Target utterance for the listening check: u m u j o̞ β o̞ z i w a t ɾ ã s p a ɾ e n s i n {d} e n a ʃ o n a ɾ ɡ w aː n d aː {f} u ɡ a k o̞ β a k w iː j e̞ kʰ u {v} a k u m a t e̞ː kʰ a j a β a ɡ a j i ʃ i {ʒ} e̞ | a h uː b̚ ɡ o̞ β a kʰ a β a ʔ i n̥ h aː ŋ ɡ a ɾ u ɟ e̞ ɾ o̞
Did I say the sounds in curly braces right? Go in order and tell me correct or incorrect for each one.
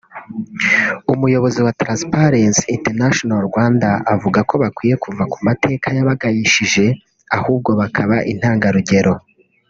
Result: incorrect: t, incorrect: v, correct, correct

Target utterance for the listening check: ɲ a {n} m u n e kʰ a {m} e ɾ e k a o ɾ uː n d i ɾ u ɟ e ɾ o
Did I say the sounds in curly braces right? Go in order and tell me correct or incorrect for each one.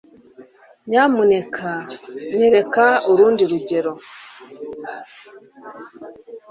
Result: incorrect: none, incorrect: ɲ

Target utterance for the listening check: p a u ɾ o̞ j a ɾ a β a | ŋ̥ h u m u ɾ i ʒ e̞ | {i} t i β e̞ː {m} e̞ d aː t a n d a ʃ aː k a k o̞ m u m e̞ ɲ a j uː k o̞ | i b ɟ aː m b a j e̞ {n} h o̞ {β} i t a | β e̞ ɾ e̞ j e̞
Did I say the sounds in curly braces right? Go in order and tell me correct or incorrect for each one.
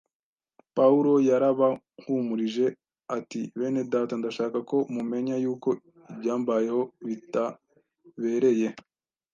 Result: incorrect: a, incorrect: n, incorrect: none, correct

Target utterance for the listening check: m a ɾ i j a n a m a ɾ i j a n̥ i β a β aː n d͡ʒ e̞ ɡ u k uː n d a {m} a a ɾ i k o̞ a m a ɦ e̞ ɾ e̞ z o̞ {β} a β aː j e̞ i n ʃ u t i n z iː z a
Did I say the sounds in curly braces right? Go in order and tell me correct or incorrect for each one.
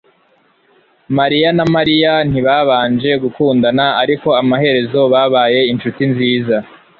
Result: incorrect: n, correct

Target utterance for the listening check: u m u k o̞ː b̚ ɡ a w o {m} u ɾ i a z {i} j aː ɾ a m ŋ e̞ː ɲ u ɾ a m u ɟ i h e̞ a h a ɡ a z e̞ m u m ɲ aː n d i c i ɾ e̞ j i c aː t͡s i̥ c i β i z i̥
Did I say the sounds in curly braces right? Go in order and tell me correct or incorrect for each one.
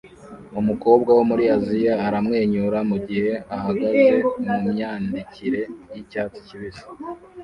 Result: correct, correct

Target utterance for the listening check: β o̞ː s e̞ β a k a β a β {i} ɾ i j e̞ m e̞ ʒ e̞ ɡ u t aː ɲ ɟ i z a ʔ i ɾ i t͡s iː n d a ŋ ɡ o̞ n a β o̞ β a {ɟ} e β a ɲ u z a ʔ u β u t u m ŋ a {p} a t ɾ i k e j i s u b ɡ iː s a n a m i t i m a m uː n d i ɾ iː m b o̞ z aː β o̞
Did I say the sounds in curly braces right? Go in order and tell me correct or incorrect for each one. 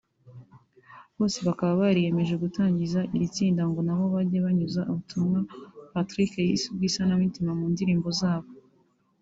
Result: incorrect: a, correct, correct

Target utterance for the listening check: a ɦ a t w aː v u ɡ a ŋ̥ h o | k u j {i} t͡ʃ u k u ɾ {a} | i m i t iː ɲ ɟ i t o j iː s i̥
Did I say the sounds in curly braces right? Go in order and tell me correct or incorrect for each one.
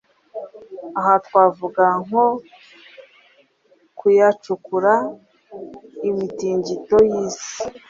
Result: incorrect: a, correct

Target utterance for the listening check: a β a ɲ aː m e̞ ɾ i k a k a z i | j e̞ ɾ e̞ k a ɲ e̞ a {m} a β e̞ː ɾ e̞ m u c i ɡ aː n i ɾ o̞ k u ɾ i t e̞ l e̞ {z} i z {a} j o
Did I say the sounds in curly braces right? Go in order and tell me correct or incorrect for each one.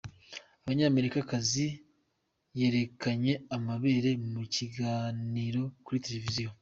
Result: correct, incorrect: v, incorrect: i

